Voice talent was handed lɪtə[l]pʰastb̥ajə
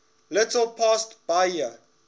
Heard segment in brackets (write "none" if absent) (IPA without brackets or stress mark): l